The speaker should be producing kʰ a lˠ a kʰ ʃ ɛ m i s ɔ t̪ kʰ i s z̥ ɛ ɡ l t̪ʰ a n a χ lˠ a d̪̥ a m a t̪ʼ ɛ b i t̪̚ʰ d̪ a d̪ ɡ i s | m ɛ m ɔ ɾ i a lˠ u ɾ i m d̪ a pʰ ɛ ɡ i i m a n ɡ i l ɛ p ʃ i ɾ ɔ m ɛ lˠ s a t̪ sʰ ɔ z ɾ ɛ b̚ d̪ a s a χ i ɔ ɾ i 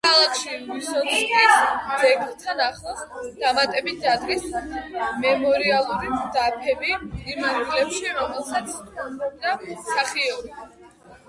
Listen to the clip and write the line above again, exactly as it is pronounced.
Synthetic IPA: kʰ a lˠ a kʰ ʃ i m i s ɔ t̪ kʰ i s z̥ ɛ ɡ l t̪ʰ a n a χ lˠ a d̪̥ a m a t̪ʼ ɛ b i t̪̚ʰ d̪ a d̪ ɡ i s | m ɛ m ɔ ɾ i a lˠ u ɾ i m d̪ a pʰ ɛ b i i m a n ɡ i l ɛ p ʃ i ɾ ɔ m ɛ lˠ s a t̪ sʰ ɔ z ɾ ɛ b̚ d̪ a s a χ i ɔ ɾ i